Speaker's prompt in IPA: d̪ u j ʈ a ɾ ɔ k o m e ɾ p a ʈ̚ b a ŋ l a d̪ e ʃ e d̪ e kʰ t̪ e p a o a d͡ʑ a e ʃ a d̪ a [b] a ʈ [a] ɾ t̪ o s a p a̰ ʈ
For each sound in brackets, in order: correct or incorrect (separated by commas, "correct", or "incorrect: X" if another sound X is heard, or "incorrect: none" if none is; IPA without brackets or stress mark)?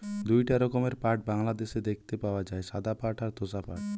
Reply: incorrect: p, correct